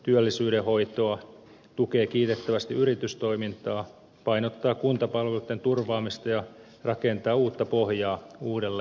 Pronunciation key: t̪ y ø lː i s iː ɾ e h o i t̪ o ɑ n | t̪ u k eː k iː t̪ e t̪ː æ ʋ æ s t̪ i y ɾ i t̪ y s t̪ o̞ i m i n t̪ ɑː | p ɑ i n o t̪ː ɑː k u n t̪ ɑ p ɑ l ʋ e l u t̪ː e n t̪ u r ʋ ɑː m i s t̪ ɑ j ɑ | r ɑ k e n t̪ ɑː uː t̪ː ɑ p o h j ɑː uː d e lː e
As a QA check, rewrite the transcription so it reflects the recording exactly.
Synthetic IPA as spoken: t̪ y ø lː i s yː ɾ e h o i t̪ o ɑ | t̪ u k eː k iː t̪ e t̪ː æ ʋ æ s t̪ i y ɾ i t̪ y s t̪ o̞ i m i n t̪ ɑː | p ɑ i n o t̪ː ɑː k u n t̪ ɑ p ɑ l ʋ e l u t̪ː e n t̪ u r ʋ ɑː m i s t̪ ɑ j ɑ | r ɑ k e n t̪ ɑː uː t̪ː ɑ p o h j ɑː uː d e lː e